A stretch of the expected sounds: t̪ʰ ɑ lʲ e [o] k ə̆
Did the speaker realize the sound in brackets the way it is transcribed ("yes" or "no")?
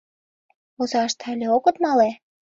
yes